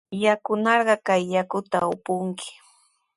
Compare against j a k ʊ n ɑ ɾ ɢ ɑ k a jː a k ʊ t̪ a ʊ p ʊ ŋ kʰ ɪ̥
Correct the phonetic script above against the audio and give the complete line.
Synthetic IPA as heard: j a k ʊ n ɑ ɾ ɢ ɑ k a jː a k ʊ t̪ a ʊ p ʊ ŋ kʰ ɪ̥